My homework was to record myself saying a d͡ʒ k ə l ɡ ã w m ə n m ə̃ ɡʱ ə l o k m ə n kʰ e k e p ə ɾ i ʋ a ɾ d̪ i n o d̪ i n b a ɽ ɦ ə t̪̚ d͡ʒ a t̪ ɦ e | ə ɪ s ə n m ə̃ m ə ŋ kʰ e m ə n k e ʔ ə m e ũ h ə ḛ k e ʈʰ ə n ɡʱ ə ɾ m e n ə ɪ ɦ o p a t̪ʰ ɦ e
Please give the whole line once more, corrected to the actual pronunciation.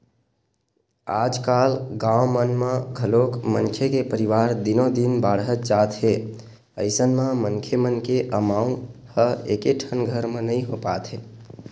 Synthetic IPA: a d͡ʒ k a l ɡ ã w m ə n m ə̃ ɡʱ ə l o k m ə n kʰ e k e p ə ɾ i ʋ a ɾ d̪ i n o d̪ i n b a ɽ ɦ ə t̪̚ d͡ʒ a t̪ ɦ e | ə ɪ s ə n m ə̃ m ə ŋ kʰ e m ə n k e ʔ ə m a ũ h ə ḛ k e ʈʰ ə n ɡʱ ə ɾ m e n ə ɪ ɦ o p a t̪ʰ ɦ e